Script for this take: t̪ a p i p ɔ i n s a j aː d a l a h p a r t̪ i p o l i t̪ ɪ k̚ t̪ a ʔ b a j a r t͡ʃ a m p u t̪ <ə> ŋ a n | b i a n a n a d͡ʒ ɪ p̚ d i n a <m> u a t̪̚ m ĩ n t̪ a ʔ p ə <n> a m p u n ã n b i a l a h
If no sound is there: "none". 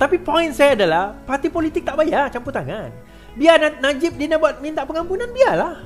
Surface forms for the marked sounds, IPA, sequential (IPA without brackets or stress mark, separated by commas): a, b, ŋ